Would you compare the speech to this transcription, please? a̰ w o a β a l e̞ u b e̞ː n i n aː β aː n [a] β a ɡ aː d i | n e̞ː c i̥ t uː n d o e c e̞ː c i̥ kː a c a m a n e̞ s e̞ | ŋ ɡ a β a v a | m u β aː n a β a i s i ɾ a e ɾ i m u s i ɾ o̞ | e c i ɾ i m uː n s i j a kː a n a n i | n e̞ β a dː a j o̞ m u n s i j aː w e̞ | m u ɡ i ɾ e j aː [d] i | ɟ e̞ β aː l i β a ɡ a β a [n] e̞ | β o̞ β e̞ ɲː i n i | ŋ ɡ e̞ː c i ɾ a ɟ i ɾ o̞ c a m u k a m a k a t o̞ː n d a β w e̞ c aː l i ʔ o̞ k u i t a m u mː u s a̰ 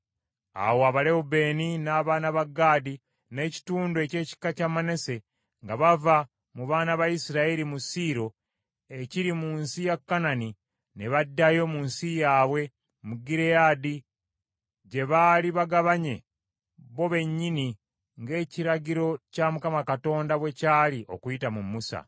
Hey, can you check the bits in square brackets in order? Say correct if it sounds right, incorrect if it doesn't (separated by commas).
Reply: correct, correct, incorrect